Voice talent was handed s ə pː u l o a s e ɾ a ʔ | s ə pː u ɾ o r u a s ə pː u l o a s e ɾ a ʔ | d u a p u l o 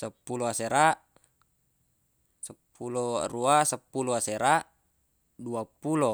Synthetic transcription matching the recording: s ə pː u l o a s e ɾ a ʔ | s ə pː u l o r u a s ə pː u l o a s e ɾ a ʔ | d u a p u l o